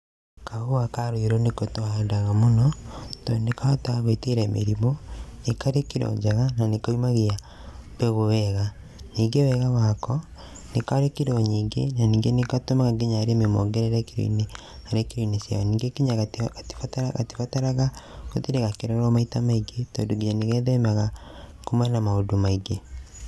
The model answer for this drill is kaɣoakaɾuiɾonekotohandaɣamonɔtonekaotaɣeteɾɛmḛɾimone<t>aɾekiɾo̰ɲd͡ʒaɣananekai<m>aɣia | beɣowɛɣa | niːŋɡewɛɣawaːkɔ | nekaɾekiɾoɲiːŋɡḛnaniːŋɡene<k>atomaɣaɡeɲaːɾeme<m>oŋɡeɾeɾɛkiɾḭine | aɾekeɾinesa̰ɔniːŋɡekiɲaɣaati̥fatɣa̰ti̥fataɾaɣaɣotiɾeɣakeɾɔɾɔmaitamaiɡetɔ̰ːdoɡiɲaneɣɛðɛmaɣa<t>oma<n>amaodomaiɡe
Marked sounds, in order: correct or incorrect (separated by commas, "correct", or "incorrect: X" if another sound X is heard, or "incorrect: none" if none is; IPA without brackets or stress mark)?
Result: incorrect: k, correct, correct, correct, incorrect: k, correct